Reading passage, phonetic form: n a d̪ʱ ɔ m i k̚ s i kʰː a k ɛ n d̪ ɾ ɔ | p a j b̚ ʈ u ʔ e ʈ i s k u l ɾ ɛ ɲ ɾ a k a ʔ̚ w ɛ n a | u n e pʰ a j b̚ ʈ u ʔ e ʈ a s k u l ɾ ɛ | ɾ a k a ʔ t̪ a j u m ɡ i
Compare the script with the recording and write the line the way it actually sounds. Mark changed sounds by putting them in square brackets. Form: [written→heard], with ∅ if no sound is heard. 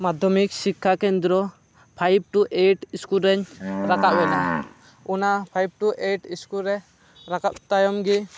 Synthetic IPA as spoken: [n→m] a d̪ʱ ɔ m i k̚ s i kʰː a k ɛ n d̪ ɾ ɔ | [p→pʰ] a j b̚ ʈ u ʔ e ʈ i s k u l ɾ ɛ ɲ ɾ a k a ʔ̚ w ɛ n a | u n [e→a] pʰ a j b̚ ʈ u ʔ e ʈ [a→i] s k u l ɾ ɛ | ɾ a k a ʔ t̪ a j [u→ɔ] m ɡ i